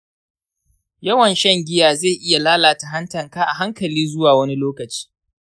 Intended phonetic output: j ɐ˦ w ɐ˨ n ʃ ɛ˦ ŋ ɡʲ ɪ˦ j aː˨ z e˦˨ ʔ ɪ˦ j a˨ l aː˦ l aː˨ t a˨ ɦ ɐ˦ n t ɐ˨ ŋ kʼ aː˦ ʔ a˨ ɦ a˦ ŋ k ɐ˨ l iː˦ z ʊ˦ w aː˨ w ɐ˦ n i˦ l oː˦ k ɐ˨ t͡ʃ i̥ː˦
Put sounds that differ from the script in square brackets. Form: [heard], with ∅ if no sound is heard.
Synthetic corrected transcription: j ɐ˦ w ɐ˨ n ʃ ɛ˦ ŋ ɡʲ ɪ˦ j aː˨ z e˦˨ ʔ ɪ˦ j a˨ l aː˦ l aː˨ t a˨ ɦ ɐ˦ n t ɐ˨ ŋ [k] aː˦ ʔ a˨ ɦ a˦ ŋ k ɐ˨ l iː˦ z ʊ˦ w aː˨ w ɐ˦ n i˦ l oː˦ k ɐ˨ t͡ʃ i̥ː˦